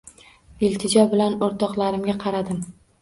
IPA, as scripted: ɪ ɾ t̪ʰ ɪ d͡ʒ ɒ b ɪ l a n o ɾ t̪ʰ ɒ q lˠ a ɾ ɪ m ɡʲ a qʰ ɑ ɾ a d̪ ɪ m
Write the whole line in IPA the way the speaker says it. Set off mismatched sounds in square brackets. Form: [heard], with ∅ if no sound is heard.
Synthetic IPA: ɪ [l] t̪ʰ ɪ d͡ʒ ɒ b ɪ l a n o ɾ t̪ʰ ɒ q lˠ a ɾ ɪ m ɡʲ a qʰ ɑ ɾ a d̪ ɪ m